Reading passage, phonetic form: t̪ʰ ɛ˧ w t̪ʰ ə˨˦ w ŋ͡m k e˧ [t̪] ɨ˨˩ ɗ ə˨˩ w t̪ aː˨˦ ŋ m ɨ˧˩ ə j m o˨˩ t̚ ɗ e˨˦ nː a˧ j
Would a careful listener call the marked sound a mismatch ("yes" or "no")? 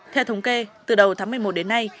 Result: no